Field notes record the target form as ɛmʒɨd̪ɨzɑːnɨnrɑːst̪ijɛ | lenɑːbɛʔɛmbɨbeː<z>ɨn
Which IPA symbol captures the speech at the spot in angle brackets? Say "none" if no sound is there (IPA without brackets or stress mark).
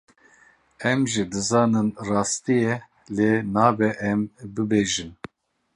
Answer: ʒ